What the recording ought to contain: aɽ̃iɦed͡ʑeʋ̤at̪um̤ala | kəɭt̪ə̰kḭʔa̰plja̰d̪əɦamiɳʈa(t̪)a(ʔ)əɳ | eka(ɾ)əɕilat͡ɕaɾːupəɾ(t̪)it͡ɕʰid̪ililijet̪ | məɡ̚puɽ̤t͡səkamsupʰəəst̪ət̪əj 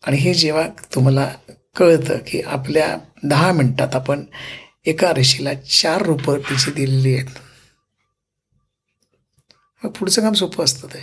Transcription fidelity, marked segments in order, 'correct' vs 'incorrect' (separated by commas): correct, incorrect, correct, correct